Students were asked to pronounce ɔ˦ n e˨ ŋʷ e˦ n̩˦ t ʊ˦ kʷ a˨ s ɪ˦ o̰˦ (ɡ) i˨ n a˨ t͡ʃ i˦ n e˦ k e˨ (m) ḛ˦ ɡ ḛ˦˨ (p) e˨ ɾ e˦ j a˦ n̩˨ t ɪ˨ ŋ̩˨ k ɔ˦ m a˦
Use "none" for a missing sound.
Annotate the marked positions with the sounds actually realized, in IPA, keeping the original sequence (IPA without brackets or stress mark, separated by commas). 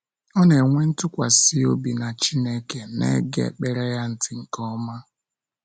b, n, k͡p